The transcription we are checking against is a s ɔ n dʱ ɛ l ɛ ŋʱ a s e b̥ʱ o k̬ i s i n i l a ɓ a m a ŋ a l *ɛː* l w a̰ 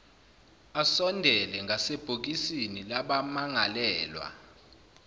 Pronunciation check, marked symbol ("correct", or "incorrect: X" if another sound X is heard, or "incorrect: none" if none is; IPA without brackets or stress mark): correct